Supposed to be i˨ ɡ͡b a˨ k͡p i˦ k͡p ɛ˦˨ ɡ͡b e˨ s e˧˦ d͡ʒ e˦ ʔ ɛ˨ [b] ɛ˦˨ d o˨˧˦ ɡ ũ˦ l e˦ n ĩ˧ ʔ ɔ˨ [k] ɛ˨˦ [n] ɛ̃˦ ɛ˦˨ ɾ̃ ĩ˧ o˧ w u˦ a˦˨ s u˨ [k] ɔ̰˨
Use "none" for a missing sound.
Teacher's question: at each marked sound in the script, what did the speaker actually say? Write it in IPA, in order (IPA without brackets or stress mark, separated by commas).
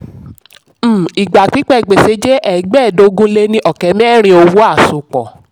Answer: ɡ͡b, k, m, k͡p